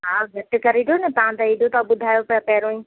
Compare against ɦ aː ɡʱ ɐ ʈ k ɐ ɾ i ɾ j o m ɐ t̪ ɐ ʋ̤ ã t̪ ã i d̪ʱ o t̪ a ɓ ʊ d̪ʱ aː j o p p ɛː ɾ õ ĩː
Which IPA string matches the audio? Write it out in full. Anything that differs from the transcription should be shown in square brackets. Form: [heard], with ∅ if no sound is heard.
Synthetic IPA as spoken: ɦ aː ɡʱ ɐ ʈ k ɐ ɾ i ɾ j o [n] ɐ t̪ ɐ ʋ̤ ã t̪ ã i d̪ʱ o t̪ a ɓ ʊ d̪ʱ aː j o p p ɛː ɾ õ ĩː